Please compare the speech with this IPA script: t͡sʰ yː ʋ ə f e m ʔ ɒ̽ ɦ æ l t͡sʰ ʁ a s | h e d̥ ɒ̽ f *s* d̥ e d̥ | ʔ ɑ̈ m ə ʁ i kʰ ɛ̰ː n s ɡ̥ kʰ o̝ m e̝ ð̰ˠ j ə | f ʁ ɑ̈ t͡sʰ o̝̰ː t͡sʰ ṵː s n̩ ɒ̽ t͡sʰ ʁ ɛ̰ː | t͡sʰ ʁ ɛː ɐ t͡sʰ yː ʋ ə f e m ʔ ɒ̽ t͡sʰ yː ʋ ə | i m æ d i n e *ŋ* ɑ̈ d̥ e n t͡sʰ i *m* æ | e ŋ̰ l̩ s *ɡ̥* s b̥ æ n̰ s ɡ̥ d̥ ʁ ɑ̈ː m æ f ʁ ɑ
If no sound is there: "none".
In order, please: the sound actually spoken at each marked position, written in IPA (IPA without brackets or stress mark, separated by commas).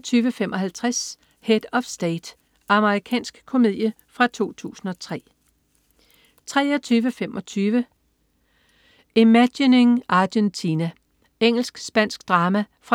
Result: s, ŋ, n, ɡ̥